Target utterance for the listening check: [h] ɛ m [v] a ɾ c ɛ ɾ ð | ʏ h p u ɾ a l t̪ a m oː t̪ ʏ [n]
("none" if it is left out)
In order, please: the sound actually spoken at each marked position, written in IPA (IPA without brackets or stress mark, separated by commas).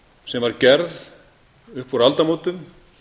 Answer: s, v, m